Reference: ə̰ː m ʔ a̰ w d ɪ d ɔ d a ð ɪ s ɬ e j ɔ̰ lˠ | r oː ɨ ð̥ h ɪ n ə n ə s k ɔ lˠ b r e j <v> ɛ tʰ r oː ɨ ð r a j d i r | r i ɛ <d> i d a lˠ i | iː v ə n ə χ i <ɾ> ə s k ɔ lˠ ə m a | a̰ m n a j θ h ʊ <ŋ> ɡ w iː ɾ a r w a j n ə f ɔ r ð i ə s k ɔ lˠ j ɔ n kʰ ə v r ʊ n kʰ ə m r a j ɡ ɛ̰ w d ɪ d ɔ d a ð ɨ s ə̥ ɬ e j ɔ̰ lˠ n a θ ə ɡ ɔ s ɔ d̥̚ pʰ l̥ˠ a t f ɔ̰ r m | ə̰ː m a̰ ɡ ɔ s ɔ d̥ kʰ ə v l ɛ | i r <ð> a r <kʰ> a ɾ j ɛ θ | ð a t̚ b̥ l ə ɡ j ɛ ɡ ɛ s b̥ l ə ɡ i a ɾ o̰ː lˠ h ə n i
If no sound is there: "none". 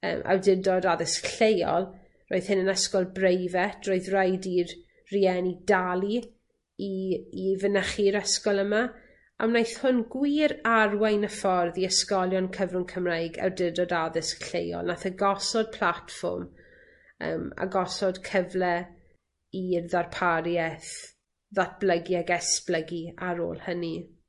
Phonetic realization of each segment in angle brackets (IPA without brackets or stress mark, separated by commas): v, n, ɾ, n, ð, pʰ